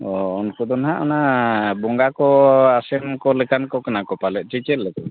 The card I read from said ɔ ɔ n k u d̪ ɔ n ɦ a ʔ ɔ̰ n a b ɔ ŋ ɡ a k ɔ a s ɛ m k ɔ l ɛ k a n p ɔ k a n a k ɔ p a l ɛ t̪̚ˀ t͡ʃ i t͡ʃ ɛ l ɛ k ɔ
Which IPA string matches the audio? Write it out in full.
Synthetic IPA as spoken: ɔ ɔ n k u d̪ ɔ n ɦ a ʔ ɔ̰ n a b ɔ ŋ ɡ a k ɔ a s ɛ m k ɔ l ɛ k a n k ɔ k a n a k ɔ p a l ɛ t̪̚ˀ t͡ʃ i t͡ʃ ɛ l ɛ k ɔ